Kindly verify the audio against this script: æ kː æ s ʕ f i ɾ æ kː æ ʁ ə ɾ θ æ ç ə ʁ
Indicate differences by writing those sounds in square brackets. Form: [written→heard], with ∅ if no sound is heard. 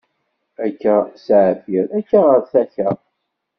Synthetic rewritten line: æ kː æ s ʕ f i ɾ æ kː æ ʁ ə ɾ θ æ ç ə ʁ